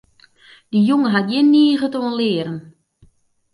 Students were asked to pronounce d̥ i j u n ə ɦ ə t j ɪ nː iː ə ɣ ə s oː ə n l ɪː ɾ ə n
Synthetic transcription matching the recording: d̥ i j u ŋ ə ɦ a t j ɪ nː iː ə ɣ ə t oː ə n l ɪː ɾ ə n